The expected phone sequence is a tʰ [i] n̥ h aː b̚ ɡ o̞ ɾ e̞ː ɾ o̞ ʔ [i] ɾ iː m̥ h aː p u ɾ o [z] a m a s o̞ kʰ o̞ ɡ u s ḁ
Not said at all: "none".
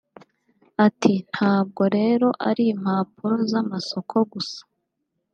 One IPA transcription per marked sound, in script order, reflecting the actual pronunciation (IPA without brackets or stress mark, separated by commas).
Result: i, a, z